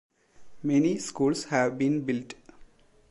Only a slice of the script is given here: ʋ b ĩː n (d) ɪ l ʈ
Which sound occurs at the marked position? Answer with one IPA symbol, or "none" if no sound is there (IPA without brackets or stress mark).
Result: b